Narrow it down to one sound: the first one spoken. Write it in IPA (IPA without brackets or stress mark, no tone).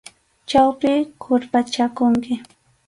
t͡ʃ